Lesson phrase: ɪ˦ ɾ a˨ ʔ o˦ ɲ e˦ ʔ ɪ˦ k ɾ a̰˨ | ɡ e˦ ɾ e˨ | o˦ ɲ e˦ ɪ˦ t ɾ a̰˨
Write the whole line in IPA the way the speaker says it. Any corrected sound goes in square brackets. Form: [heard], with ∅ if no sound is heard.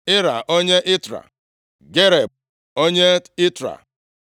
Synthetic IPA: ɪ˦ ɾ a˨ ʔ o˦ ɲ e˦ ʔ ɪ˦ [t] ɾ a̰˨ | ɡ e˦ ɾ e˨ | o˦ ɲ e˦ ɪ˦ t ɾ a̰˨

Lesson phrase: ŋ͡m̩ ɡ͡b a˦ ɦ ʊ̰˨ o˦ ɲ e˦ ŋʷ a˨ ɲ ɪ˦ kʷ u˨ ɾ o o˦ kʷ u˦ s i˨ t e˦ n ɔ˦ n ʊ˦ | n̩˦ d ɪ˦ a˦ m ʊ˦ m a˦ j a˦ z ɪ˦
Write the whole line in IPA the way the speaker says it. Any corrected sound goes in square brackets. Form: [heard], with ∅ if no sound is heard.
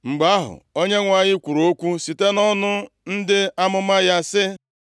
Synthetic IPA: ŋ͡m̩ ɡ͡b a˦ ɦ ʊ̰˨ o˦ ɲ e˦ ŋʷ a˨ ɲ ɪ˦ kʷ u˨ ɾ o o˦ kʷ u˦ s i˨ t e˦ n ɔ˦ n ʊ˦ | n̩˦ d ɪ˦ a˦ m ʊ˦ m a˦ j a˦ [s] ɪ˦

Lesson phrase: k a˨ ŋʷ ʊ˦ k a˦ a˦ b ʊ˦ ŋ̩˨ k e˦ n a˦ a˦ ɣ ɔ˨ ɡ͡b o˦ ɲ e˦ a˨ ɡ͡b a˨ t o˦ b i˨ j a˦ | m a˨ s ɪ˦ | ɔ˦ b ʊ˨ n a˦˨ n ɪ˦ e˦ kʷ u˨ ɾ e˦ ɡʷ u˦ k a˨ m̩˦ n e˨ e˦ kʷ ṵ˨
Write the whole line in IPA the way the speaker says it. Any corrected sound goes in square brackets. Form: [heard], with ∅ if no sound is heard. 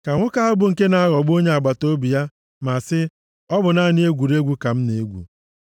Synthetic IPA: k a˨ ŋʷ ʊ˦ k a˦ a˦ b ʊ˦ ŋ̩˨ k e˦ n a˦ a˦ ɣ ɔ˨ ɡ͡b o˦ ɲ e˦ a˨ ɡ͡b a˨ t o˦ b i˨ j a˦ | m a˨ s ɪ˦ | ɔ˦ b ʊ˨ n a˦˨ n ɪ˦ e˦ [ɡʷ] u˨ ɾ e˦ ɡʷ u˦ k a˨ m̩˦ n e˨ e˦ [ɡʷ] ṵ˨

